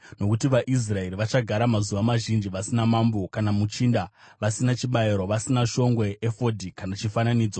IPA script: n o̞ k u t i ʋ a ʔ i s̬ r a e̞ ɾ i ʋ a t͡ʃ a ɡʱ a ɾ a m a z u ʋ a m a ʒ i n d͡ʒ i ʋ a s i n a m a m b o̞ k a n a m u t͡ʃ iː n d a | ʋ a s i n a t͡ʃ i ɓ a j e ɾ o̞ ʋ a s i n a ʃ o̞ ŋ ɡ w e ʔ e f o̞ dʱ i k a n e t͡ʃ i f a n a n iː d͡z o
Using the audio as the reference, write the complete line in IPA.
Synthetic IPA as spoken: n o̞ k u t i ʋ a ʔ i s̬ r a e̞ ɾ i ʋ a t͡ʃ a ɡʱ a ɾ a m a z u ʋ a m a ʒ i n d͡ʒ i ʋ a s i n a m a m b o̞ k a n a m u t͡ʃ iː n d a | ʋ a s i n a t͡ʃ i ɓ a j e ɾ o̞ ʋ a s i n a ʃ o̞ ŋ ɡ w e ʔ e f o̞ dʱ i k a n a t͡ʃ i f a n a n iː d͡z o